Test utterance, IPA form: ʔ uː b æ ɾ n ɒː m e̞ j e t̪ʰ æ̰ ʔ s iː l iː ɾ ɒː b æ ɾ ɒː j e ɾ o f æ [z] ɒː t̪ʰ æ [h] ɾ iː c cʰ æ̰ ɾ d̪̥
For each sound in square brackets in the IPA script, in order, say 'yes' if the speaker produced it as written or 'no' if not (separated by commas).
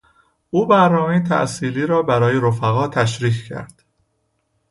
no, no